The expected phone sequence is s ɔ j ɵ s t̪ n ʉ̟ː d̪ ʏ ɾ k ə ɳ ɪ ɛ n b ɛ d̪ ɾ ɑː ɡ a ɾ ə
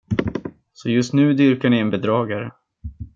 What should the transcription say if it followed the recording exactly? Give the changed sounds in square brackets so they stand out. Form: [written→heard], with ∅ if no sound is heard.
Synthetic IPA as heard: s ɔ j ɵ s t̪ n ʉ̟ː d̪ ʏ ɾ k [ə→a] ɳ ɪ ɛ n b ɛ d̪ ɾ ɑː ɡ a ɾ ə